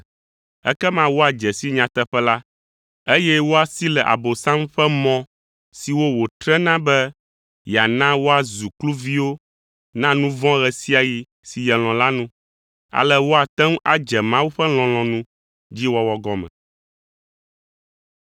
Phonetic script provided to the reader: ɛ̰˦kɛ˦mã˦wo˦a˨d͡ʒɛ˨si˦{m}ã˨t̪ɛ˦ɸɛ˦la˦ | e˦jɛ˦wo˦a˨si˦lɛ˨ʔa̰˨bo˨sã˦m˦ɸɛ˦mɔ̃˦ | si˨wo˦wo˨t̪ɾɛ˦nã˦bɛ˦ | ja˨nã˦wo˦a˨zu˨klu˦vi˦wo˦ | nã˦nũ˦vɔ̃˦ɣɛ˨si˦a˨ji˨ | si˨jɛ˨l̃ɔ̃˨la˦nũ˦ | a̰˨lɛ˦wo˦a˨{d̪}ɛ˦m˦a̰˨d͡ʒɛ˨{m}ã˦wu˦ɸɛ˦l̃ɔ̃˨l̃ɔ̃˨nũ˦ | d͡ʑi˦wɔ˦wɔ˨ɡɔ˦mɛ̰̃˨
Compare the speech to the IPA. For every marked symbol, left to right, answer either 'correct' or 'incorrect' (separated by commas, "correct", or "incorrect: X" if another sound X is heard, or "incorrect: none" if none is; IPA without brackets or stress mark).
incorrect: ɲ, incorrect: t̪, correct